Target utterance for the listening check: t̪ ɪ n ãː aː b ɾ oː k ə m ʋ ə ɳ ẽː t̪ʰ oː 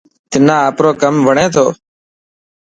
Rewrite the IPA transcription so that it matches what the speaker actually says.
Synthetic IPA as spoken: t̪ ɪ n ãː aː p ɾ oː k ə m ʋ ə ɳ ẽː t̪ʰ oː